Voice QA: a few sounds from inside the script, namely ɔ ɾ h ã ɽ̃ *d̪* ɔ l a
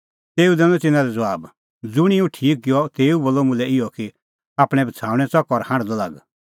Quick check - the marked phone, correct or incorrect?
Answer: correct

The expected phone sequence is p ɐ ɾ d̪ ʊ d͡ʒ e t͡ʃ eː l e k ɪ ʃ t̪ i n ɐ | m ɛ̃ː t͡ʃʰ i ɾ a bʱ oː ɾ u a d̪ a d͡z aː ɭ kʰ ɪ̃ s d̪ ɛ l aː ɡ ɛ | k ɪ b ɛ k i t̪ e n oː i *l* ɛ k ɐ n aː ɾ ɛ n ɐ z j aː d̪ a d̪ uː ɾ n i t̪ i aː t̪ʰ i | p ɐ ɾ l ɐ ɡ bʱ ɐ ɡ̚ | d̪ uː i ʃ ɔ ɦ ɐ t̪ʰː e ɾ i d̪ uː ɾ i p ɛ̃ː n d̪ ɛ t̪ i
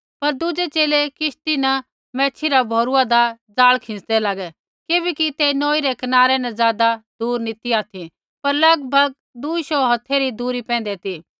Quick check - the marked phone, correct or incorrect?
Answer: incorrect: ɾ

